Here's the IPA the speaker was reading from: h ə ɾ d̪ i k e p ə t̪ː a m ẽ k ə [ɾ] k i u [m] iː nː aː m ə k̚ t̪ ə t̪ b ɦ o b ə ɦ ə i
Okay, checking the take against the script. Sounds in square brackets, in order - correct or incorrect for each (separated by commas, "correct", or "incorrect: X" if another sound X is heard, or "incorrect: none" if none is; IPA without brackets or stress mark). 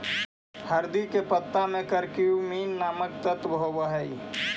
correct, correct